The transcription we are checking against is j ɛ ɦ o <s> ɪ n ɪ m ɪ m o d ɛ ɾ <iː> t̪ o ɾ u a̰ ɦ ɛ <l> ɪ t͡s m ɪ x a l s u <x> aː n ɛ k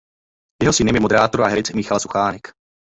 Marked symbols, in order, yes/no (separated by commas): yes, no, no, yes